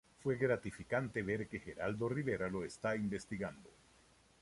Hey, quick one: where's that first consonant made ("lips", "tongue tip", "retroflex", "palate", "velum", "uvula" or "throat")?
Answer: lips